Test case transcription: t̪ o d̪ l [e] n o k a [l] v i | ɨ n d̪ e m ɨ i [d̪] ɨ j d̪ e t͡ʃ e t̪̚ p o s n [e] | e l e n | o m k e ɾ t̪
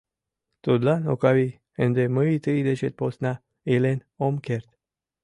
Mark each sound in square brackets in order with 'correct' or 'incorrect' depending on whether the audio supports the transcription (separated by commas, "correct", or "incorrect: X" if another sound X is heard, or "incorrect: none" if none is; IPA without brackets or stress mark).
incorrect: a, incorrect: none, incorrect: t̪, incorrect: a